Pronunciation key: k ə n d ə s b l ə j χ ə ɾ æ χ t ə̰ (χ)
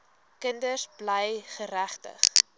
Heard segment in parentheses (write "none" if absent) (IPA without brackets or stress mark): χ